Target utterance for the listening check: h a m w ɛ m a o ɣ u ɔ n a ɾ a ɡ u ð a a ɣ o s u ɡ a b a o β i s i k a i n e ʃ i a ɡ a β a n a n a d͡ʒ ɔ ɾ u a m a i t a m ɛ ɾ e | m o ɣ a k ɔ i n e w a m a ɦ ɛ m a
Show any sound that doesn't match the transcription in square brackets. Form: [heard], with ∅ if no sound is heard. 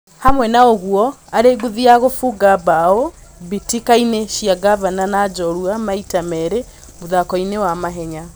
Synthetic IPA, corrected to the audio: h a m w ɛ [n] a o ɣ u ɔ [∅] a ɾ [e] ɡ u ð [i] a ɣ o [f] u ɡ a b a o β i [t] i k a i n e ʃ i a ɡ a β a n a n a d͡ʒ ɔ ɾ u a m a i t a m ɛ ɾ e | m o [ð] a k ɔ i n e w a m a ɦ ɛ [ɲ] a